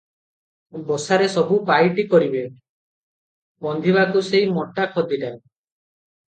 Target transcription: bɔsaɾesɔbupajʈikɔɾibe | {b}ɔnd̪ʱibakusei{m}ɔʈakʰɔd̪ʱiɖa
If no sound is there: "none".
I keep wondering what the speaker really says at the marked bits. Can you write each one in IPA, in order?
b, m

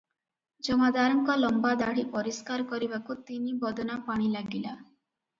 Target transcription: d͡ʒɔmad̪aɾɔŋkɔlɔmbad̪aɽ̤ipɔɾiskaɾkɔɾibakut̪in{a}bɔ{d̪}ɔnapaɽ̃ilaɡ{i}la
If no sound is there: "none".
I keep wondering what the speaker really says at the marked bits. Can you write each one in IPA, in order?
i, d̪, i

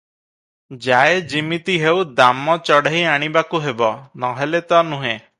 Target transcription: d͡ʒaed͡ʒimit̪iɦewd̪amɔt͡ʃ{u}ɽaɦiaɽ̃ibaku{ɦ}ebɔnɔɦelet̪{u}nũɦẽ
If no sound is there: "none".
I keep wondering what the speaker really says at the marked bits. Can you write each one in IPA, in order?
ɔ, ɦ, ɔ

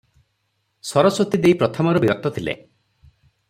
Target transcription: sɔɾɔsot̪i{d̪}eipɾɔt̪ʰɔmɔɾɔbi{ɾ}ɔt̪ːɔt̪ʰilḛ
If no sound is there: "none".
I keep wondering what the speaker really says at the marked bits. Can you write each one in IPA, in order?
d̪, ɾ

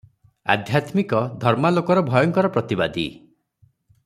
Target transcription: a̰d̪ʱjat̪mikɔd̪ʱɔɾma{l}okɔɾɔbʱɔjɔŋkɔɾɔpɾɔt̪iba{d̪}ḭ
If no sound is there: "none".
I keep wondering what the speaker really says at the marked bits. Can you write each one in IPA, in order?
l, d̪

